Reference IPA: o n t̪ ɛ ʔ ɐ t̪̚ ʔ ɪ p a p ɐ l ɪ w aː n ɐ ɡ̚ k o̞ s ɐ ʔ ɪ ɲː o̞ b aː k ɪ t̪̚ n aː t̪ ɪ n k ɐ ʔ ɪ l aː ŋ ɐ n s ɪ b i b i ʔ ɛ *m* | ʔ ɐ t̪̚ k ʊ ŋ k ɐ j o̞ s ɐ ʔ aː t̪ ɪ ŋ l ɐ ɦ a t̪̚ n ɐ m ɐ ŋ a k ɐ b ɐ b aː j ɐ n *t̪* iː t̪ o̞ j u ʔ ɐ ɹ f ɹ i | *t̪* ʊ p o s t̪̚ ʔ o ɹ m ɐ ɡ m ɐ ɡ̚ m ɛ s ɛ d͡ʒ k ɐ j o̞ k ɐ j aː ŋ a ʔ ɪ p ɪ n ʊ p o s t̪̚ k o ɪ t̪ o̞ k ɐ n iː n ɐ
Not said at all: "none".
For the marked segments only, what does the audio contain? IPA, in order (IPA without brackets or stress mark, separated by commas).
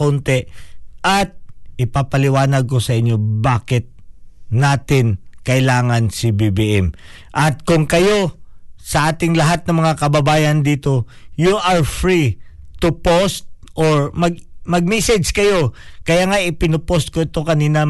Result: m, d̪, t̪